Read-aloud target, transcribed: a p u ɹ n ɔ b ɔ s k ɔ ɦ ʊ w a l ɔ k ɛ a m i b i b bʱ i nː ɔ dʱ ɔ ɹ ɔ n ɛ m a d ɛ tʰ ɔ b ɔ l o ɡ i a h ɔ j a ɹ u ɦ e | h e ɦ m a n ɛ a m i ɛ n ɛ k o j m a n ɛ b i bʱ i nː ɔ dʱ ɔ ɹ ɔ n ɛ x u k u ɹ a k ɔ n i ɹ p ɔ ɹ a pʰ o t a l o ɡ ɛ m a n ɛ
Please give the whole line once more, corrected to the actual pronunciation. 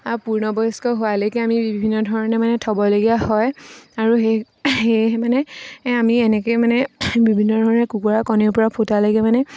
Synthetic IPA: a p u ɹ n ɔ b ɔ s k ɔ ɦ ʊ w a l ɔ k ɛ a m i b i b bʱ i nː ɔ dʱ ɔ ɹ ɔ n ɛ m a n ɛ tʰ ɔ b ɔ l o ɡ i a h ɔ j a ɹ u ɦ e | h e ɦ m a n ɛ a m i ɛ n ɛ k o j m a n ɛ b i bʱ i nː ɔ dʱ ɔ ɹ ɔ n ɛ k u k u ɹ a k ɔ n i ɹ p ɔ ɹ a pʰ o t a l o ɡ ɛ m a n ɛ

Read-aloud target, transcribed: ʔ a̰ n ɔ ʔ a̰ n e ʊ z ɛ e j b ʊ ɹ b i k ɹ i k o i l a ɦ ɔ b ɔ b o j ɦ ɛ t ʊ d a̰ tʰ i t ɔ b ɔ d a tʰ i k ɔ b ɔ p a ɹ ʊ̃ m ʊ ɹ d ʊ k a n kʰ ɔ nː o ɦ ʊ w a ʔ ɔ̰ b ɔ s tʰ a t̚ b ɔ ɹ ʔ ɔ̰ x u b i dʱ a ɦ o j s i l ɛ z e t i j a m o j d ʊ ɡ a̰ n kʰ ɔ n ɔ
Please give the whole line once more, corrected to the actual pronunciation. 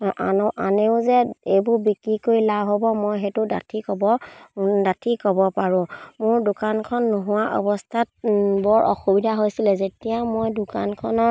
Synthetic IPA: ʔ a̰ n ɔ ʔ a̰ n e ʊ z ɛ e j b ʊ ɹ b i k ɹ i k o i l a ɦ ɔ b ɔ m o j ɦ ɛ t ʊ d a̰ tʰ i k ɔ b ɔ d a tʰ i k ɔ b ɔ p a ɹ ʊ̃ m ʊ ɹ d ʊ k a n kʰ ɔ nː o ɦ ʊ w a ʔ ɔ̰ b ɔ s tʰ a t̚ b ɔ ɹ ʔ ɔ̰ x u b i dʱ a ɦ o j s i l ɛ z e t i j a m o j d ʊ k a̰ n kʰ ɔ n ɔ

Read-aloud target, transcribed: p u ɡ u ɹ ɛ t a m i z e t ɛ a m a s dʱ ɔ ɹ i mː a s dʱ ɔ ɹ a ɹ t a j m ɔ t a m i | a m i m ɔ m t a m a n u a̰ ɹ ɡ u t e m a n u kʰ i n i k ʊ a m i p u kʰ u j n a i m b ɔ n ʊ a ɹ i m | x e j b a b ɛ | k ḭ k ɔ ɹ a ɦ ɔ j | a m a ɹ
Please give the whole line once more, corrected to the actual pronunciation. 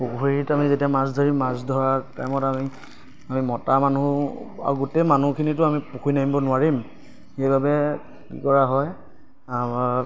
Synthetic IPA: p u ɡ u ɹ i t a m i z e t i a m a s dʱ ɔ ɹ i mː a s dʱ ɔ ɹ a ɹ t a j m ɔ t a m i | a m i m ɔ t a m a n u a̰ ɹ ɡ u t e m a n u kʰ i n i t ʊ a m i p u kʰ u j n a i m b ɔ n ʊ a ɹ i m | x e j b a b ɛ | k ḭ k ɔ ɹ a ɦ ɔ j | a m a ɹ

